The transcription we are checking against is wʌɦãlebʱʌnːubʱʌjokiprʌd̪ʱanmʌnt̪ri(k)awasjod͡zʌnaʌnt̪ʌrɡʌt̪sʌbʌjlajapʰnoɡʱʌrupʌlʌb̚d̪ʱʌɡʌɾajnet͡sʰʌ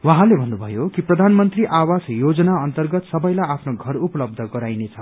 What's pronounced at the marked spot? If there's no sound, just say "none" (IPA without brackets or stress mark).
ʔ